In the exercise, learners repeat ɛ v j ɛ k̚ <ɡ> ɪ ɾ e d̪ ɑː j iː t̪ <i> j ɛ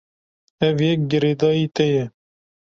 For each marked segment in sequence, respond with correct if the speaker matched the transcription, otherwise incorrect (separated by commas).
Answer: correct, incorrect